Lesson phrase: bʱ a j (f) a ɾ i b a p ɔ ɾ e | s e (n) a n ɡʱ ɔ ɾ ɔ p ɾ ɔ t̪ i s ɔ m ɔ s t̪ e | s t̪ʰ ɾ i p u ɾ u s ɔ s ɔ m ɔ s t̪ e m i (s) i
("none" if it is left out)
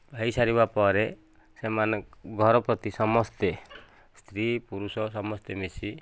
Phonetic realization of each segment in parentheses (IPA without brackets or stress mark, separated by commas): s, m, s